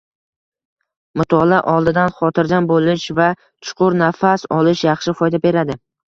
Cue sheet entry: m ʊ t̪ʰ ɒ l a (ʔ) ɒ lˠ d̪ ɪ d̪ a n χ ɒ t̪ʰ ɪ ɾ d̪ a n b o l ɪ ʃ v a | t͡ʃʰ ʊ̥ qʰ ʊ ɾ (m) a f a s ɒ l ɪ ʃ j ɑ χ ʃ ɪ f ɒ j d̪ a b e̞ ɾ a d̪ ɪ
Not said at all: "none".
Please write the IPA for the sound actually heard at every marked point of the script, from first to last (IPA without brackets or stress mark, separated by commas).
ʔ, n